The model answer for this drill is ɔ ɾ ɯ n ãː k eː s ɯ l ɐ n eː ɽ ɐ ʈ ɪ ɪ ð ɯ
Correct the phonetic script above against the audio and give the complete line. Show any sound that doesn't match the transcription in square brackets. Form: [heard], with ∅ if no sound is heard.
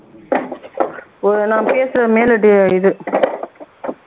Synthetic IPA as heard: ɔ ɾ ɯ n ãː [p] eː s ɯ [ɾ] ɐ [m] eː [l] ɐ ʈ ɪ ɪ ð ɯ